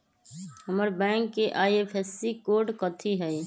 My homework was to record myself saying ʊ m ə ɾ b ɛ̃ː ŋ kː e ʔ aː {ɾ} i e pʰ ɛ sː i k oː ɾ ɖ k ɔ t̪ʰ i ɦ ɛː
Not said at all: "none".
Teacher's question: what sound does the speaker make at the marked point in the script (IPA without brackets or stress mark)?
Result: none